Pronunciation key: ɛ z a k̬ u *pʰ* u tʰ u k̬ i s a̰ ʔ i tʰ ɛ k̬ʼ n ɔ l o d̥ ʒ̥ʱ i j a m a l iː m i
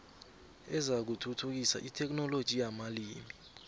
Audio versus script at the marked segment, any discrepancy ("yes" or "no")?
yes